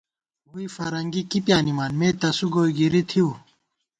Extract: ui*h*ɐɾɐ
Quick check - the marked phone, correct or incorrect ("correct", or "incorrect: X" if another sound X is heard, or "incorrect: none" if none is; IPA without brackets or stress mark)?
incorrect: f